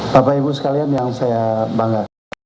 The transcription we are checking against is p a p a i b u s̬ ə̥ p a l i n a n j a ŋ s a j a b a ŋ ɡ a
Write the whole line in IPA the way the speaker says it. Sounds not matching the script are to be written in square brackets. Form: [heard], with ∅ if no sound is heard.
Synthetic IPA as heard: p a p a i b u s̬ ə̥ [k] a l i [∅] a n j a ŋ s a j a b a ŋ ɡ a

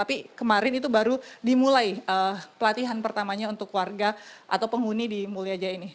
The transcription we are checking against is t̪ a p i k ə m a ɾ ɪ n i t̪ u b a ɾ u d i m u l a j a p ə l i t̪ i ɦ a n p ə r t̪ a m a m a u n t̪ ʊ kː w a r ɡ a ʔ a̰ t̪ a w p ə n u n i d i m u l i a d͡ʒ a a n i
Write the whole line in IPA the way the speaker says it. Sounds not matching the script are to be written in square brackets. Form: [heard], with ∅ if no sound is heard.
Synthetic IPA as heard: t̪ a p i k ə m a ɾ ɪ n i t̪ u b a ɾ u d i m u l a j [ə] p ə l [a] t̪ i ɦ a n p ə r t̪ a m a [ɲ] a u n t̪ ʊ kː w a r ɡ a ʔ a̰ t̪ a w p ə [ŋ] u n i d i m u l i a d͡ʒ a [i] n i

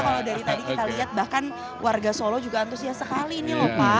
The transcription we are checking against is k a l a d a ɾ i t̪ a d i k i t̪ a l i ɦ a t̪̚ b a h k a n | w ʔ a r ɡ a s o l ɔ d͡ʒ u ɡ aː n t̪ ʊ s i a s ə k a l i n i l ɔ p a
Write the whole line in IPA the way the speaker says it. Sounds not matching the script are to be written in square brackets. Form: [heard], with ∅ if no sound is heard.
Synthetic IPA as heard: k a l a d a ɾ i t̪ a d i k i t̪ a l i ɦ a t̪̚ b a h k a n | w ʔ a r ɡ a s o l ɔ d͡ʒ u ɡ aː n t̪ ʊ s i a s ə k a l i n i l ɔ p a

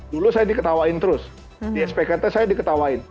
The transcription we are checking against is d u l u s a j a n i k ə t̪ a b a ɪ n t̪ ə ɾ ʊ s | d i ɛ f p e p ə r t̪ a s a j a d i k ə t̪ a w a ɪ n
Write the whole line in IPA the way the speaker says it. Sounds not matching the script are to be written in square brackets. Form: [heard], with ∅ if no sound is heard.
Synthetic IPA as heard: d u l u s a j a [d] i k ə t̪ a [w] a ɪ n t̪ ə ɾ ʊ s | d i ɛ [s] p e [k] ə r t̪ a s a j a d i k ə t̪ a w a ɪ n

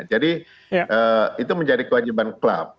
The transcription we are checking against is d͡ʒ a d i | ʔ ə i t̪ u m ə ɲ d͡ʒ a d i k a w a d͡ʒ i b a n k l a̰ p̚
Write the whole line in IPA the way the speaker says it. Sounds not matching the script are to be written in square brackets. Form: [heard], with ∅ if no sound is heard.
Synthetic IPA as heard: d͡ʒ a d i | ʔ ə i t̪ u m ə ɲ d͡ʒ a d i k [ə] w a d͡ʒ i b a n k l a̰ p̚

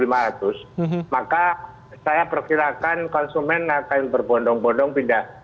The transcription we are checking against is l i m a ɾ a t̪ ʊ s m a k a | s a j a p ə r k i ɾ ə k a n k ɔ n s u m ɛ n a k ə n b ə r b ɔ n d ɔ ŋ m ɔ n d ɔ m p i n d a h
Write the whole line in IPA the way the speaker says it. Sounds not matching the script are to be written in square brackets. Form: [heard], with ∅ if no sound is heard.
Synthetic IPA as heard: l i m a ɾ a t̪ ʊ s m a k a | s a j a p ə r k i ɾ [a] k a n k ɔ n s u m ɛ n a k [a] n b ə r b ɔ n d ɔ ŋ [b] ɔ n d ɔ [ŋ] p i n d a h

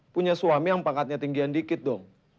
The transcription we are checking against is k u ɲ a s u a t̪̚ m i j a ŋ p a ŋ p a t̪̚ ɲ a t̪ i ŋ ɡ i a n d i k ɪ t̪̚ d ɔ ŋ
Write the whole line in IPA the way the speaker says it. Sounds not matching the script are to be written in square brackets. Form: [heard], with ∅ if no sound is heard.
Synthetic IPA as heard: [p] u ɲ a s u a [∅] m i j a ŋ p a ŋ [k] a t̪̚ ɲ a t̪ i ŋ ɡ i a n d i k ɪ t̪̚ d ɔ ŋ

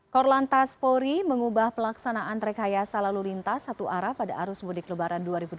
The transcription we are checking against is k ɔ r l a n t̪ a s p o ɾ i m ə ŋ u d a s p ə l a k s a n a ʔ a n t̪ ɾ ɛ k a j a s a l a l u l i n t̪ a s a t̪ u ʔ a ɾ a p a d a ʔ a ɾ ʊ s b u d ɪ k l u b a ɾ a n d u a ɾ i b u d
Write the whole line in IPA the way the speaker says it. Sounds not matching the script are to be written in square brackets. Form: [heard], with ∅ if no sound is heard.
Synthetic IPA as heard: k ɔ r l a n t̪ a s p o ɾ i m ə ŋ u [b] a [h] p ə l a k s a n a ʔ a n t̪ ɾ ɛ k a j a s a l a l u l i n t̪ a s a t̪ u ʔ a ɾ a p a d a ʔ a ɾ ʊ s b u d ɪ k l u b a ɾ a n d u a ɾ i b u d

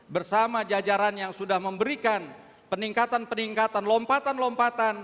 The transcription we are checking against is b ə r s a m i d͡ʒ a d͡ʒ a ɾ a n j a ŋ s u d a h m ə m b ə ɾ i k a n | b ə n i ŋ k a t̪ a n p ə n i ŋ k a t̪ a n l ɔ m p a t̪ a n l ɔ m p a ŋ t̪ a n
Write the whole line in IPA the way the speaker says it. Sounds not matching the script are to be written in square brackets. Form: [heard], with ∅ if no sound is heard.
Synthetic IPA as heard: b ə r s a m [a] d͡ʒ a d͡ʒ a ɾ a n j a ŋ s u d a h m ə m b ə ɾ i k a n | [p] ə n i ŋ k a t̪ a n p ə n i ŋ k a t̪ a n l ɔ m p a t̪ a n l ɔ m p a [∅] t̪ a n

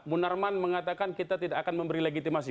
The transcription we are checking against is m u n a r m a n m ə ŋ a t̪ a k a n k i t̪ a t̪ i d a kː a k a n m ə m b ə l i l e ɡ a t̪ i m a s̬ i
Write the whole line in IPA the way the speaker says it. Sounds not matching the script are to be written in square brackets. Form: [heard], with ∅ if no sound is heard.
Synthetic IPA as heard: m u n a r m a n m ə ŋ a t̪ a k a n k i t̪ a t̪ i d a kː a k a n m ə m b ə [ɾ] i l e ɡ [i] t̪ i m a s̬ i

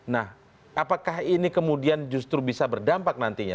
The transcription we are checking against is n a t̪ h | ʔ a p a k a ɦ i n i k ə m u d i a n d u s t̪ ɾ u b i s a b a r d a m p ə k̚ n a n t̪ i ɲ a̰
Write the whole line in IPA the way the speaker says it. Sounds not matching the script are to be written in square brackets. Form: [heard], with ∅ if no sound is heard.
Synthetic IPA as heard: n a [∅] h | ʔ a p a k a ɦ i n i k ə m u d i a n [d͡ʒ] u s t̪ ɾ u b i s a b [ə] r d a m p [a] k̚ n a n t̪ i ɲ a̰

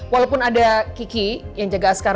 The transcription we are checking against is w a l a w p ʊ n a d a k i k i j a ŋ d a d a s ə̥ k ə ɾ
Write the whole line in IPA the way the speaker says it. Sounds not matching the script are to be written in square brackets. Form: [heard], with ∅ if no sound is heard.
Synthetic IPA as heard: w a l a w p ʊ n a d a k i k i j a ŋ [d͡ʒ] a [ɡ] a s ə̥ k [a] ɾ

